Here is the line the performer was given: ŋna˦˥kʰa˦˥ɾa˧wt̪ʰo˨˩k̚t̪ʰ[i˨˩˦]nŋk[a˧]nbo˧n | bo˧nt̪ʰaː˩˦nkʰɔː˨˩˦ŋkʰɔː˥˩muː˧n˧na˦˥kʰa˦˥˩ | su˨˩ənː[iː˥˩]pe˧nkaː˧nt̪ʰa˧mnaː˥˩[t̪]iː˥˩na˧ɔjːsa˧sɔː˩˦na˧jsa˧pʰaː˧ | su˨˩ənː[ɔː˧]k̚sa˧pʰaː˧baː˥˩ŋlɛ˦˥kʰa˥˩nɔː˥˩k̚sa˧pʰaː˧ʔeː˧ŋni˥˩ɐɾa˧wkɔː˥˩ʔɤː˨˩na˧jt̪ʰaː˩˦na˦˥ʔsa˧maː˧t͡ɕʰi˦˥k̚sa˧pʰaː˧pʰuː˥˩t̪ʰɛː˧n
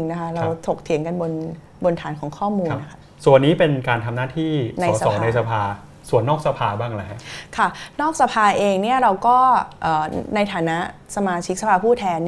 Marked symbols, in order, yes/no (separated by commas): yes, yes, no, no, no